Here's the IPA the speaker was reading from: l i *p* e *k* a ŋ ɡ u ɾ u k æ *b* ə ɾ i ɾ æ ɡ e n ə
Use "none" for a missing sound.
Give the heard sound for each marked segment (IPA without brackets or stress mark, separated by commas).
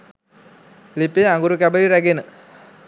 p, none, b